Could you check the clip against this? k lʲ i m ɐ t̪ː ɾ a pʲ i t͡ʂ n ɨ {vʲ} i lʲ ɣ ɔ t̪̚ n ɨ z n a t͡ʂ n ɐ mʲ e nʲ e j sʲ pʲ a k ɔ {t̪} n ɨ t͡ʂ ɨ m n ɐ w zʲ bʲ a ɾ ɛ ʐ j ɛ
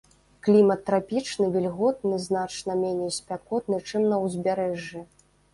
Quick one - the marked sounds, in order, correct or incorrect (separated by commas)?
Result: correct, correct